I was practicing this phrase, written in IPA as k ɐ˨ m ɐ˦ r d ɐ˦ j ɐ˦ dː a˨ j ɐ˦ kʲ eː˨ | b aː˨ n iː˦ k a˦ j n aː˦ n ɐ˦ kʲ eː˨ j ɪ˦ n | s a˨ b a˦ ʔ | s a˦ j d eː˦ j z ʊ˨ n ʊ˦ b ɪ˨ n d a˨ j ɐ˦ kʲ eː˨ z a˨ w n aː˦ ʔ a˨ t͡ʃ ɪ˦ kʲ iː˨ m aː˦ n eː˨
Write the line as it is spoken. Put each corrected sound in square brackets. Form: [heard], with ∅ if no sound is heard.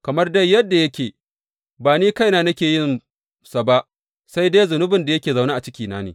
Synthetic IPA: k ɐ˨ m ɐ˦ r d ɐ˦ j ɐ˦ dː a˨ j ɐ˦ kʲ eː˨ | b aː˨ n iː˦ k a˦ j n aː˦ n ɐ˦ kʲ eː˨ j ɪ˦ n | s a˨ b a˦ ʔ | s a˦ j d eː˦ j z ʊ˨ n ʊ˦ b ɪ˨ n d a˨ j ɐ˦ kʲ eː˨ z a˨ w n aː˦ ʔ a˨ t͡ʃ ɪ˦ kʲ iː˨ [n] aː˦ n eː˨